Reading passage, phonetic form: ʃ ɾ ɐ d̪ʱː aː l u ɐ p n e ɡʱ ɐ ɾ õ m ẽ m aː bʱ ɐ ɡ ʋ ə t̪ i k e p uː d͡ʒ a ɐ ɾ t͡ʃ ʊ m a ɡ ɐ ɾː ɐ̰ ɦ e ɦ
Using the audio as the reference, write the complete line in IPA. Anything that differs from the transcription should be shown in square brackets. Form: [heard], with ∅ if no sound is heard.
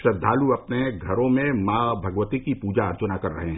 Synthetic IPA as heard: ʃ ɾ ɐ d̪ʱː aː l u ɐ p n e ɡʱ ɐ ɾ õ m ẽ m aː bʱ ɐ ɡ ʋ ə t̪ i k [i] p uː d͡ʒ a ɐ ɾ t͡ʃ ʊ [n] a [k] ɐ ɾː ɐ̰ ɦ e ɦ